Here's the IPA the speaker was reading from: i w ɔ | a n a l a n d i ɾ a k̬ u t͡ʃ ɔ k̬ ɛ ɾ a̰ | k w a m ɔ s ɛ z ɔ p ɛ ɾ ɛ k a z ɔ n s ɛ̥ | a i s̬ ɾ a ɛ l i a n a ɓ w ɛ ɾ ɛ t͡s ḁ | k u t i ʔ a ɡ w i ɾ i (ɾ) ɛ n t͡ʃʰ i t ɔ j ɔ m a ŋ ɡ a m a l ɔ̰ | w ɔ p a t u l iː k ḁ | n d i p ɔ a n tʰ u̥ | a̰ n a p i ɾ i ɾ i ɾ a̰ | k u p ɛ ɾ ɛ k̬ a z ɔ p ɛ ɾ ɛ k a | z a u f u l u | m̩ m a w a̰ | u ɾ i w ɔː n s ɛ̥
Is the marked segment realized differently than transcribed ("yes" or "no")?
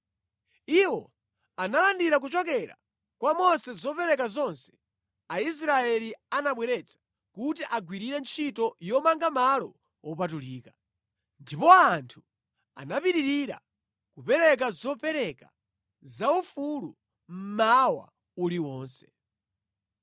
no